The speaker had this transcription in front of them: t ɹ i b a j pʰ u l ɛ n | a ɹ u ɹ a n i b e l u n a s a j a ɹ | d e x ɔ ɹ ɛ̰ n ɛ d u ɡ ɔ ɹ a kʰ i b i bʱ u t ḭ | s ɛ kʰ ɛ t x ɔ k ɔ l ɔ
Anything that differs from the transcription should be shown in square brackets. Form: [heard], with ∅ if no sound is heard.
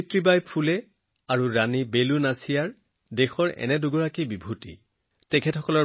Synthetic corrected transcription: t ɹ i b a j pʰ u l ɛ [∅] | a ɹ u ɹ a n i b e l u n a s [i] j a ɹ | d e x ɔ ɹ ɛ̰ n ɛ d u ɡ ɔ ɹ a [k] i b i bʱ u t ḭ | [t] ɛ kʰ ɛ t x ɔ k ɔ l ɔ